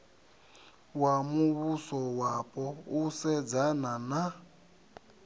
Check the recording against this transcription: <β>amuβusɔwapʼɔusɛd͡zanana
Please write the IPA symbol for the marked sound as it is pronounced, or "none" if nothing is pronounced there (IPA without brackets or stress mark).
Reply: w